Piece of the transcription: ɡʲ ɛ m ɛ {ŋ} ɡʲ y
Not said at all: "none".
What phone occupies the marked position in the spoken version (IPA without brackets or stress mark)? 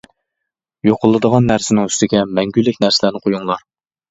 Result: ŋ